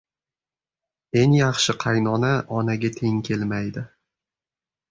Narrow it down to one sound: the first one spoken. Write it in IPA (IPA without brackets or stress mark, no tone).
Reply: e̞